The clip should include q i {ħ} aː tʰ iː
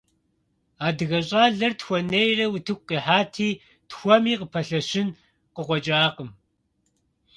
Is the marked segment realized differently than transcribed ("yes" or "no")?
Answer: no